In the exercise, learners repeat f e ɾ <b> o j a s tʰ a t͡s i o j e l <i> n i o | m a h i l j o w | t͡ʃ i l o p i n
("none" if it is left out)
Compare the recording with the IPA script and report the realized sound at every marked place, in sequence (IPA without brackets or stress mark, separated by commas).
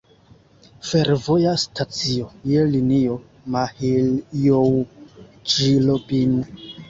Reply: v, i